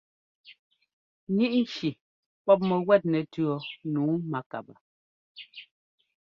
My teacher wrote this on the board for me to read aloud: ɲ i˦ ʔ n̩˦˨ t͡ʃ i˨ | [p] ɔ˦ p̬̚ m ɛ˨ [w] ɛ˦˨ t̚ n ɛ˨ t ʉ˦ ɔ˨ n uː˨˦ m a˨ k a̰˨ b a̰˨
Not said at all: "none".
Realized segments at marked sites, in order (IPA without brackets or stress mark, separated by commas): p, w